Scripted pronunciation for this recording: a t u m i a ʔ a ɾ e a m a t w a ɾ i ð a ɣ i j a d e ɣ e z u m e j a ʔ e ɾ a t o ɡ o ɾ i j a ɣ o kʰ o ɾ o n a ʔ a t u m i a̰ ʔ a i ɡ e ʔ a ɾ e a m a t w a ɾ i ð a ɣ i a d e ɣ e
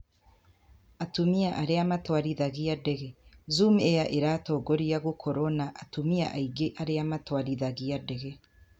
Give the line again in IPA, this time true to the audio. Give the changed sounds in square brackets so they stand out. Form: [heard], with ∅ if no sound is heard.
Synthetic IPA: a t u m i a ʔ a ɾ e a m a t w a ɾ i ð a ɣ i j a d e ɣ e z u m e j a ʔ e ɾ a t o ɡ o ɾ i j a ɣ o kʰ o ɾ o n a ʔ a t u m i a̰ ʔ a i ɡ e ʔ a ɾ e a m a t w a ɾ i ð a ɣ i a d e ɣ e